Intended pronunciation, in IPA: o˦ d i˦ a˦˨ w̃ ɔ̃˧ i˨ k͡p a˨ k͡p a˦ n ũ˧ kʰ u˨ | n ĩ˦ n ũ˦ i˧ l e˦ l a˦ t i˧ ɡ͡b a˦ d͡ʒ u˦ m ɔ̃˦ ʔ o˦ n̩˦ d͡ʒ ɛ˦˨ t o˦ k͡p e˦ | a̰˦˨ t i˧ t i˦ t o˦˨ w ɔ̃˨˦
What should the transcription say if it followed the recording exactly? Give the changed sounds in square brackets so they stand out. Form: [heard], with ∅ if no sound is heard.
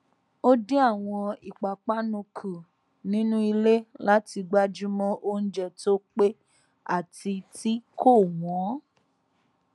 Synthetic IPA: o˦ d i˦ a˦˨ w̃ ɔ̃˧ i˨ k͡p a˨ k͡p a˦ n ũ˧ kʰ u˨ | n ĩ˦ n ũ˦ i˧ l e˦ l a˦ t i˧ ɡ͡b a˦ d͡ʒ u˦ m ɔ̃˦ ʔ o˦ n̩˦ d͡ʒ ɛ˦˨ t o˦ k͡p e˦ | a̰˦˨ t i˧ t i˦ [k] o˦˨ w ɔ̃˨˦